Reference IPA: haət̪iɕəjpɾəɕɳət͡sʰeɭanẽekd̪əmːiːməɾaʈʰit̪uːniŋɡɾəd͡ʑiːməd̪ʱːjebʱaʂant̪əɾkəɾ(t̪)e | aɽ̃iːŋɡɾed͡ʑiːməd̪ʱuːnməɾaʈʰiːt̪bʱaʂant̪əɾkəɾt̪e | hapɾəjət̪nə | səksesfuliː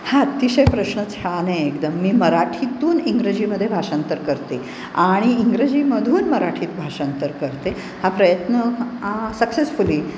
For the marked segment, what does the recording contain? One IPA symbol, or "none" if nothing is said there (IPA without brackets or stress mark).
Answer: t̪